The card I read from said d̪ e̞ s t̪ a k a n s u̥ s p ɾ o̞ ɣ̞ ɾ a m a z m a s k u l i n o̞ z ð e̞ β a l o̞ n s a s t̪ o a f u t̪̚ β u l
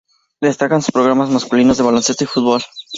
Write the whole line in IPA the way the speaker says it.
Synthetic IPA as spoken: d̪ e̞ s t̪ a k a n s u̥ s p ɾ o̞ ɣ̞ ɾ a m a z m a s k u l i n o̞ z ð e̞ β a l o̞ n s e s t̪ o i f u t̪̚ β o l